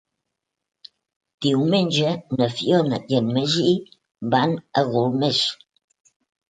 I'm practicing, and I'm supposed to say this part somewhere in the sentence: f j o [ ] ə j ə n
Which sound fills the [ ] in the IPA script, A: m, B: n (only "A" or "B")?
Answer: B